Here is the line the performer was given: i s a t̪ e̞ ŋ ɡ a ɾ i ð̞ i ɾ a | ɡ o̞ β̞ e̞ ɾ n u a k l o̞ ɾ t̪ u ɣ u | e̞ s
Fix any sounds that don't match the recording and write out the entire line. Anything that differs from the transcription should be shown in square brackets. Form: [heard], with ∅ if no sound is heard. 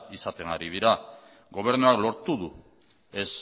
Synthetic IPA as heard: i s a t̪ e̞ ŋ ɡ a ɾ i ð̞ i ɾ a | ɡ o̞ β̞ e̞ ɾ n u a k l o̞ ɾ t̪ u [ð] u | e̞ s